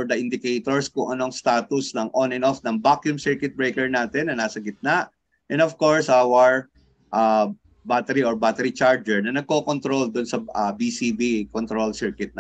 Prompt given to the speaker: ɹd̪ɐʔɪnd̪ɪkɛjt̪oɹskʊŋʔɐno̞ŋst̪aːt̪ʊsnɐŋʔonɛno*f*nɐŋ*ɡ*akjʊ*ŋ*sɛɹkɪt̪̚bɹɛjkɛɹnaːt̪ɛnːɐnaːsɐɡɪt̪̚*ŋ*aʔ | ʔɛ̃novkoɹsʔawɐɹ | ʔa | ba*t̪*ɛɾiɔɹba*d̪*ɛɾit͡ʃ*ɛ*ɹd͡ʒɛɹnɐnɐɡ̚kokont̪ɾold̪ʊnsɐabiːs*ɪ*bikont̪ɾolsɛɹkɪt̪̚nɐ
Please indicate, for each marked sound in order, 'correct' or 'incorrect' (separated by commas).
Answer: correct, incorrect, incorrect, incorrect, correct, incorrect, incorrect, incorrect